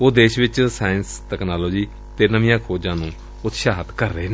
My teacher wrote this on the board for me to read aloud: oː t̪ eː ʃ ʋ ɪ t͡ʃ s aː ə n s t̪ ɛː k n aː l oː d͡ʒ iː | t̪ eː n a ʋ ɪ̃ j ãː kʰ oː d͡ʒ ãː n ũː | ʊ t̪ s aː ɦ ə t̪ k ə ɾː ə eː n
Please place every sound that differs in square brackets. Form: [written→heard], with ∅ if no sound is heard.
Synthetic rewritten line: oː [t̪→d̪] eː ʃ ʋ ɪ t͡ʃ s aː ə n s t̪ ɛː k n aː l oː d͡ʒ iː | t̪ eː n [a→ə] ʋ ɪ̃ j ãː kʰ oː d͡ʒ ãː n ũː | ʊ t̪ [s→ʃ] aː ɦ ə t̪ k ə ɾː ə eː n